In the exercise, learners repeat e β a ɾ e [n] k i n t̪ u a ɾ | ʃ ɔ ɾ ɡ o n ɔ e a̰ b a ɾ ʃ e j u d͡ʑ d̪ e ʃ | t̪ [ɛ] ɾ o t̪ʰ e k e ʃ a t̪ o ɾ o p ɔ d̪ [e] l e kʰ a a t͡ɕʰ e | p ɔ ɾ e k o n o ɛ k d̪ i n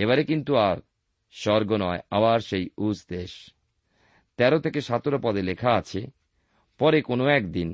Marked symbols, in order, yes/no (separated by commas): no, yes, yes